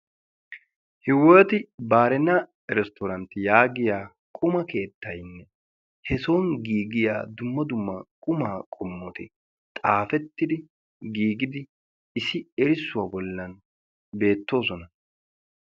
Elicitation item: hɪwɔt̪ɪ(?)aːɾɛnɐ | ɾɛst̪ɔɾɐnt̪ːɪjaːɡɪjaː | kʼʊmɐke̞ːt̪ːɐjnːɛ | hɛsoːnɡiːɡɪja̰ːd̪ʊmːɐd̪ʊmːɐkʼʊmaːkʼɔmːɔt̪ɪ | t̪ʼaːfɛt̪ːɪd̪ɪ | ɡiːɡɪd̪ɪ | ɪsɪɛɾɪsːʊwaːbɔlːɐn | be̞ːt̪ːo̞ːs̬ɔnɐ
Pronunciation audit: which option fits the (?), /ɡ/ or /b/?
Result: b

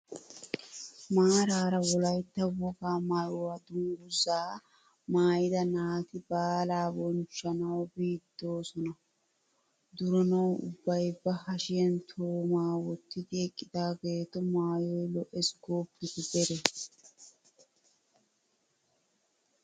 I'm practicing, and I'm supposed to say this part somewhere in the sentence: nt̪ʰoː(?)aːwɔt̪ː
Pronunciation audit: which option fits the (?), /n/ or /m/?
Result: m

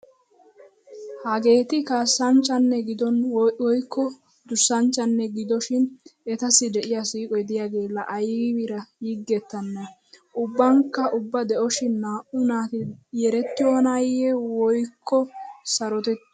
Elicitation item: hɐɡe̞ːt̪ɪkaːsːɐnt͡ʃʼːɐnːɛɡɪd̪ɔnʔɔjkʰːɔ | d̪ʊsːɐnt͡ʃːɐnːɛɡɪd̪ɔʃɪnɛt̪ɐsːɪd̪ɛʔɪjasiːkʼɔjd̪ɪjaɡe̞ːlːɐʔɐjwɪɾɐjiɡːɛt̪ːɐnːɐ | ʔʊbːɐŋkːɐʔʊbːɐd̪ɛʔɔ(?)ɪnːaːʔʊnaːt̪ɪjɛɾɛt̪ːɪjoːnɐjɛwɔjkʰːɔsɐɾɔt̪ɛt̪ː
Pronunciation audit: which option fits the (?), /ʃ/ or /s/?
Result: ʃ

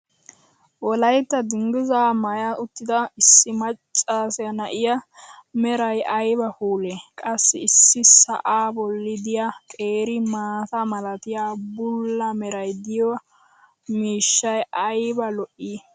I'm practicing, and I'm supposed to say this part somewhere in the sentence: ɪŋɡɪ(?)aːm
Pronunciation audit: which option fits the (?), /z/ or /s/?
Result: z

